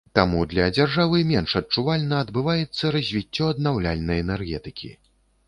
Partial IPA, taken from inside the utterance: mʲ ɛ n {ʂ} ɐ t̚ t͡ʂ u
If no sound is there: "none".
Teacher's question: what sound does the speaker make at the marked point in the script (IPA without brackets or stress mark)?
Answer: ʂ